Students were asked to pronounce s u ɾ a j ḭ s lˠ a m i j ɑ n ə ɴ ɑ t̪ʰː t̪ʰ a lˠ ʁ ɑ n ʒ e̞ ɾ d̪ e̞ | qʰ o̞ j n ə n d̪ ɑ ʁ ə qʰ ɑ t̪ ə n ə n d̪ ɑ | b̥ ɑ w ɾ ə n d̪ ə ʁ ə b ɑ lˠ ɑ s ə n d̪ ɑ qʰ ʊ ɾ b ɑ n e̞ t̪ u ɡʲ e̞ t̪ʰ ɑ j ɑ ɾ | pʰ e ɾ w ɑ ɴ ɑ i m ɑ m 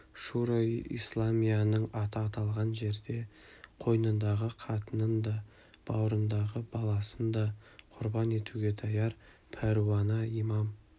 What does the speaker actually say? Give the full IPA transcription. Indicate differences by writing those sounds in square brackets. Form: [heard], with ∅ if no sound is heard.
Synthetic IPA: [ʃ] u ɾ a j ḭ s lˠ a m i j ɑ n ə ɴ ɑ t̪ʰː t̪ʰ [ɑ] lˠ ʁ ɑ n ʒ e̞ ɾ d̪ e̞ | qʰ o̞ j n ə n d̪ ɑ ʁ ə qʰ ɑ t̪ ə n ə n d̪ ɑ | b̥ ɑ w ɾ ə n d̪ [ɑ] ʁ ə b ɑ lˠ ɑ s ə n d̪ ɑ qʰ ʊ ɾ b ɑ n e̞ t̪ u ɡʲ e̞ t̪ʰ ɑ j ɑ ɾ | pʰ [æ] ɾ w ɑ [n] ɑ i m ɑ m

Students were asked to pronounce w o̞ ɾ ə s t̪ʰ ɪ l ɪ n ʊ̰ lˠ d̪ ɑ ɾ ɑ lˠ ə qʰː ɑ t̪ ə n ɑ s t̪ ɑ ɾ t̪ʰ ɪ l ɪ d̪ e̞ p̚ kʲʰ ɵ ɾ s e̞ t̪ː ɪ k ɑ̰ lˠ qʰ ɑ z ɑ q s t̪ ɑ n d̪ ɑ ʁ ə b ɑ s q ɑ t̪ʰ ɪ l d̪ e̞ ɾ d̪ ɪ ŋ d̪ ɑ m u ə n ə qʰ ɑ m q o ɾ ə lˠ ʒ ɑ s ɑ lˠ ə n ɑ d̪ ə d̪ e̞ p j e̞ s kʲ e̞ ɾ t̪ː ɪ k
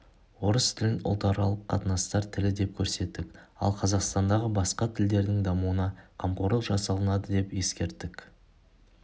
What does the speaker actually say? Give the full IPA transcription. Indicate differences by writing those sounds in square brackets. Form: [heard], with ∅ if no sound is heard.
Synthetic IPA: w o̞ ɾ ə s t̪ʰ ɪ l ɪ n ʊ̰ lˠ [t̪] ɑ ɾ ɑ lˠ ə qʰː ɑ t̪ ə n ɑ s t̪ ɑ ɾ t̪ʰ ɪ l ɪ d̪ e̞ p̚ kʲʰ ɵ ɾ s e̞ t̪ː ɪ k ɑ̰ lˠ qʰ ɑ z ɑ q s t̪ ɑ n d̪ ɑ ʁ ə b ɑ s q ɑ t̪ʰ ɪ l d̪ e̞ ɾ d̪ ɪ ŋ d̪ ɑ m u ə n [ɑ] qʰ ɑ m q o ɾ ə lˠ ʒ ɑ s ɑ lˠ ə n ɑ d̪ ə d̪ e̞ p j e̞ s kʲ e̞ ɾ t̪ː ɪ k

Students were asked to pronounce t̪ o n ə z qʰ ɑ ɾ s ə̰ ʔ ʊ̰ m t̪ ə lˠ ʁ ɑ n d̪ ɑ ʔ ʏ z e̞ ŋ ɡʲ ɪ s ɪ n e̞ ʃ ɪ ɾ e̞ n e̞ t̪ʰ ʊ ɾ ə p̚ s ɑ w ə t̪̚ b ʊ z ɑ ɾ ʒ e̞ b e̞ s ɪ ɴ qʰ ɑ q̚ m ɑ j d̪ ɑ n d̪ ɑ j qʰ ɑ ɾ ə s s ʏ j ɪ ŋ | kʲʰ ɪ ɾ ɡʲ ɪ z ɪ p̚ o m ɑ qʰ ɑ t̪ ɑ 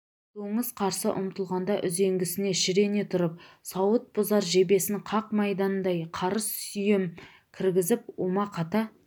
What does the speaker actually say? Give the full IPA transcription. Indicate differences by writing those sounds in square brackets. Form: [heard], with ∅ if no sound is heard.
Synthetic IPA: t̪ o [ɴ] ə z qʰ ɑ ɾ s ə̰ ʔ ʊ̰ m t̪ ə lˠ ʁ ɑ n d̪ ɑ ʔ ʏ z e̞ ŋ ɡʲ ɪ s ɪ n e̞ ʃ ɪ ɾ e̞ n e̞ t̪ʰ ʊ ɾ ə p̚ s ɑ w ə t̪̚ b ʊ z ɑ ɾ ʒ e̞ b e̞ s ɪ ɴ qʰ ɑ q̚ m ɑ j d̪ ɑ n d̪ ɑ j qʰ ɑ ɾ ə s s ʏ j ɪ [m] | kʲʰ ɪ ɾ ɡʲ ɪ z ɪ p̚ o m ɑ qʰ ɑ t̪ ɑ

